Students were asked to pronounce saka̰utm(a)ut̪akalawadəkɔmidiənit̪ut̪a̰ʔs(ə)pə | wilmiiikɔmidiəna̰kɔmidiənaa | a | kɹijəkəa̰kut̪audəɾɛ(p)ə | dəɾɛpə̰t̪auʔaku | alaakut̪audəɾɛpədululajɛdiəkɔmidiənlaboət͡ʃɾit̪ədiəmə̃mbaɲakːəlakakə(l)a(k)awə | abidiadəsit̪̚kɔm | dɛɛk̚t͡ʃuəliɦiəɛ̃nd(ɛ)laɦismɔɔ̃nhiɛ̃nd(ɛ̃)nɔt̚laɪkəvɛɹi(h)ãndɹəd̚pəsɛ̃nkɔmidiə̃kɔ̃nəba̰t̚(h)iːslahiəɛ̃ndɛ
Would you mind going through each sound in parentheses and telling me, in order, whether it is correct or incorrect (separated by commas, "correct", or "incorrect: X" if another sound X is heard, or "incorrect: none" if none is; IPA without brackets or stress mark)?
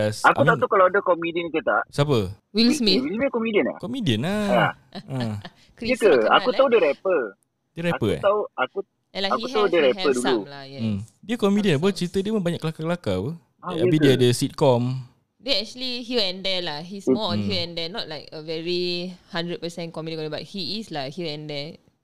correct, incorrect: a, correct, correct, correct, correct, incorrect: ɛ, correct, correct